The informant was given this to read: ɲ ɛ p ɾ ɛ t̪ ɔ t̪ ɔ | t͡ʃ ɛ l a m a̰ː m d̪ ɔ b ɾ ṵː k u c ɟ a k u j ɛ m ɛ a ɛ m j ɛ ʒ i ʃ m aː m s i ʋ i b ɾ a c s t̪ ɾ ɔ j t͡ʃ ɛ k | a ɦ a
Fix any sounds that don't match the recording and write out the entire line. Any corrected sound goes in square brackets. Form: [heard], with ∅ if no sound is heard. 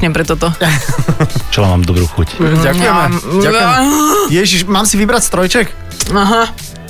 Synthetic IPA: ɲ ɛ p ɾ ɛ t̪ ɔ t̪ ɔ | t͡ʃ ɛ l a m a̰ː m d̪ ɔ b ɾ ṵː [x] u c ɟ a k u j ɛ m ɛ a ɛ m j ɛ ʒ i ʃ m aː m s i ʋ i b ɾ a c s t̪ ɾ ɔ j t͡ʃ ɛ k | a ɦ a